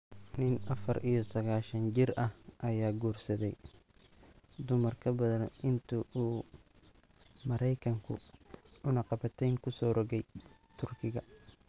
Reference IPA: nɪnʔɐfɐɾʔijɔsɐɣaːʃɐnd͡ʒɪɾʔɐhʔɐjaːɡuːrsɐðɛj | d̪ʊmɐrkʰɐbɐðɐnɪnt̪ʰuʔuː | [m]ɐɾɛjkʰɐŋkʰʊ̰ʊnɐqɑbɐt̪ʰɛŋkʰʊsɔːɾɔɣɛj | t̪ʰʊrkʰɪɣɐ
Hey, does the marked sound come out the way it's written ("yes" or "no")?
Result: yes